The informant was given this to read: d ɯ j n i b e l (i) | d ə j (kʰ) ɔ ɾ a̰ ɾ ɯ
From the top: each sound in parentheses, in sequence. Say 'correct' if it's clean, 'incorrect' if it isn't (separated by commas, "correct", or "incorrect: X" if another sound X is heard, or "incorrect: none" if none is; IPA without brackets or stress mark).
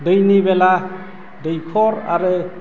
incorrect: a, correct